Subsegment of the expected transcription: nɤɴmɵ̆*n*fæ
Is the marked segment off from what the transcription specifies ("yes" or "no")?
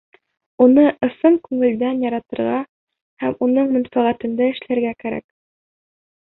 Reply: no